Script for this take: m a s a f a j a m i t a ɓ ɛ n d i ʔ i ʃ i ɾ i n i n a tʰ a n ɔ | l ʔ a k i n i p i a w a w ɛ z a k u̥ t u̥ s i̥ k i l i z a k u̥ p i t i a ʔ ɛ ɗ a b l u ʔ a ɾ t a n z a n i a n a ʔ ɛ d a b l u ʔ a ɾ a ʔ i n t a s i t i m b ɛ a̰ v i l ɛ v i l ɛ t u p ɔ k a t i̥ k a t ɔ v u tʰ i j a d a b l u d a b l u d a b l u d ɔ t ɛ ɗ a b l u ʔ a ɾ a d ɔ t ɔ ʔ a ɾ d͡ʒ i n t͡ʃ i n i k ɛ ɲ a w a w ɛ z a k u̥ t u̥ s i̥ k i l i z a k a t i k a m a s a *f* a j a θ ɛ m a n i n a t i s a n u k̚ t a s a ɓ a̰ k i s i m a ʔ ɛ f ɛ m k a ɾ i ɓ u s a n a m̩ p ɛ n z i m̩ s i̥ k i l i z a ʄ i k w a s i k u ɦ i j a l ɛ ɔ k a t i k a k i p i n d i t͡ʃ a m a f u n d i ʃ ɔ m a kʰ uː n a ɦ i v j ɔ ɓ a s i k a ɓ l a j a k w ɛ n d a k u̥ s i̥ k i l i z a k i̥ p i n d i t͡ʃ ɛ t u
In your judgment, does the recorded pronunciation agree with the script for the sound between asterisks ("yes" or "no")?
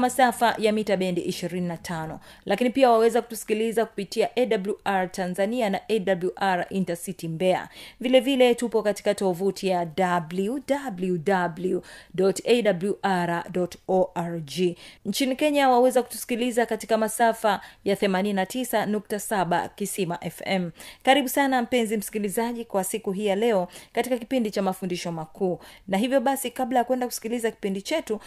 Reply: yes